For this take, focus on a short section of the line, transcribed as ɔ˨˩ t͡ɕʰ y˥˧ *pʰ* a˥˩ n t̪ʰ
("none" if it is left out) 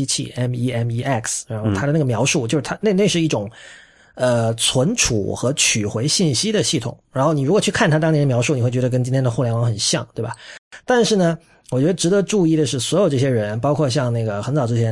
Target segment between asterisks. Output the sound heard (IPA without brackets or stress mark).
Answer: kʰ